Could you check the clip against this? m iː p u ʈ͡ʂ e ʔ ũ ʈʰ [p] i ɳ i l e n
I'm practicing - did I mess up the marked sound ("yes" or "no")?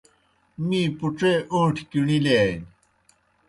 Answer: yes